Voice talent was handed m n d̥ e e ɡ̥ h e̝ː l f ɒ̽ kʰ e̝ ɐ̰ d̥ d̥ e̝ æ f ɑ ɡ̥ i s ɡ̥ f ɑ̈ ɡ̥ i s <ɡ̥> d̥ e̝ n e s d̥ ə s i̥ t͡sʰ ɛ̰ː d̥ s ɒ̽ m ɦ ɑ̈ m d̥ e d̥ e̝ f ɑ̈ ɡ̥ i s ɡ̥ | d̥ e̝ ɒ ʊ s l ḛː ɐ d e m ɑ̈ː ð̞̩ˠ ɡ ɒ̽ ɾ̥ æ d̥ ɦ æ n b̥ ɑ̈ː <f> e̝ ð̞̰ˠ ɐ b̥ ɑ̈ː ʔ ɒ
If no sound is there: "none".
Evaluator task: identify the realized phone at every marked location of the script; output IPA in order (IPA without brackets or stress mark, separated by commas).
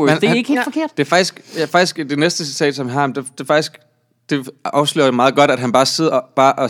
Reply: ɡ̥, s